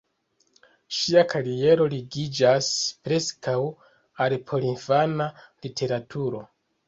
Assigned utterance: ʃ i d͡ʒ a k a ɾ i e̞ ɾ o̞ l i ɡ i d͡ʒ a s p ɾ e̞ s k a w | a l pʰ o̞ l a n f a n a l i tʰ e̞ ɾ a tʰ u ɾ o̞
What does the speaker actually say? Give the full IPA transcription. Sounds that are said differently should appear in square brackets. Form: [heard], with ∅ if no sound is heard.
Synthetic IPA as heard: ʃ i [∅] a k a ɾ i e̞ ɾ o̞ l i ɡ i d͡ʒ a s p ɾ e̞ s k a w | a l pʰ o̞ l [i] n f a n a l i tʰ e̞ ɾ a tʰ u ɾ o̞